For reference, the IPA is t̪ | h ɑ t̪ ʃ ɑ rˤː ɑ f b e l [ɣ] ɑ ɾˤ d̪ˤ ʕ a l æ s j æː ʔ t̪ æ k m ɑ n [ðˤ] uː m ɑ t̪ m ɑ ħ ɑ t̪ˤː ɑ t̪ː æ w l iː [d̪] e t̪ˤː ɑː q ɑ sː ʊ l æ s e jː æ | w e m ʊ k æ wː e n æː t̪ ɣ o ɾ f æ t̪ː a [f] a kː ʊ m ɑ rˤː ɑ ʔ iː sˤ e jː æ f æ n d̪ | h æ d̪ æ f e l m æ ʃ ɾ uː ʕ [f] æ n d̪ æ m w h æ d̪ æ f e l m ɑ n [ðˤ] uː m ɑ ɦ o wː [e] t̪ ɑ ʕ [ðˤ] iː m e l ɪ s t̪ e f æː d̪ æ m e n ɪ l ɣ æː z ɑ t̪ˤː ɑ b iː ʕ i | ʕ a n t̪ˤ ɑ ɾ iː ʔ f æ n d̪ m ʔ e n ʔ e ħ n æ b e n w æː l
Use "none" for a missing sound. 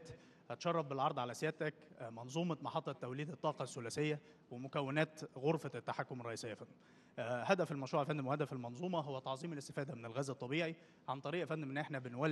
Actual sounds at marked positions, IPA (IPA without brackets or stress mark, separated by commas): ʕ, zˤ, d̪, ħ, f, zˤ, æ, zˤ